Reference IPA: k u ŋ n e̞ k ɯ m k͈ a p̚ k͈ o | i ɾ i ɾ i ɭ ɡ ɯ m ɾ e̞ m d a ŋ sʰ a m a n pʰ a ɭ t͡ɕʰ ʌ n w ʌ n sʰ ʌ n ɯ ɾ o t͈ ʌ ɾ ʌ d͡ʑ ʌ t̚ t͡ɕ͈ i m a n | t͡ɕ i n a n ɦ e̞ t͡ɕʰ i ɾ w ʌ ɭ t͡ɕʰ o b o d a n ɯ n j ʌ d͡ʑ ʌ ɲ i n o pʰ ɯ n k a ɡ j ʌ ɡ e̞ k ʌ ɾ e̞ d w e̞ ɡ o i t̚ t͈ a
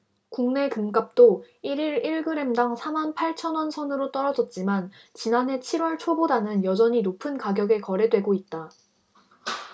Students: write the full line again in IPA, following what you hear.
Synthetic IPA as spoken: k u ŋ n e̞ k ɯ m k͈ a p̚ t͈ o | i ɾ i ɾ i ɭ ɡ ɯ ɾ e̞ m d a ŋ sʰ a m a n pʰ a ɭ t͡ɕʰ ʌ n w ʌ n sʰ ʌ n ɯ ɾ o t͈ ʌ ɾ ʌ d͡ʑ ʌ t̚ t͡ɕ͈ i m a n | t͡ɕ i n a n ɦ e̞ t͡ɕʰ i ɾ w ʌ ɭ t͡ɕʰ o b o d a n ɯ n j ʌ d͡ʑ ʌ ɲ i n o pʰ ɯ n k a ɡ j ʌ ɡ e̞ k ʌ ɾ e̞ d w e̞ ɡ o i t̚ t͈ a